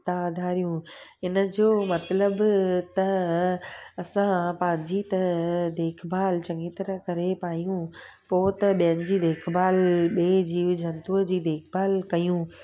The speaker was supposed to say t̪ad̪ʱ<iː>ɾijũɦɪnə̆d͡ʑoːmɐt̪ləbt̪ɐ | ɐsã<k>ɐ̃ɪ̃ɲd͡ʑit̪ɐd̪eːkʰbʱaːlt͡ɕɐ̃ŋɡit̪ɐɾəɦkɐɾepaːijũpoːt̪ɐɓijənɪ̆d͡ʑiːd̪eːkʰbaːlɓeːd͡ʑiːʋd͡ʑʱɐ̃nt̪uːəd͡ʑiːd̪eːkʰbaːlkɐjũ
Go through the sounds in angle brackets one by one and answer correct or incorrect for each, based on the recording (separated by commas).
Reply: incorrect, incorrect